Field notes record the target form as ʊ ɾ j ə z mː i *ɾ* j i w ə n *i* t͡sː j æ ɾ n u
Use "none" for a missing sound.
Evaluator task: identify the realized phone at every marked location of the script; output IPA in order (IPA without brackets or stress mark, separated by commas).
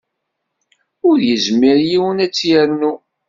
ɾ, æ